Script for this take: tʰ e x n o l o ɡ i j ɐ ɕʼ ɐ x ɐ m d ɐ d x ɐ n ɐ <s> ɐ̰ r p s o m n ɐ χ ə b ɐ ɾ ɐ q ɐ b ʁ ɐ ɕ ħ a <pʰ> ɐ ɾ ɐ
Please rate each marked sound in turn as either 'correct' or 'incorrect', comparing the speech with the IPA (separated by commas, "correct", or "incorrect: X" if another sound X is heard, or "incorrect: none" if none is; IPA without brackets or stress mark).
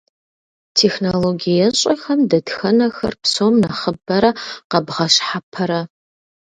incorrect: x, correct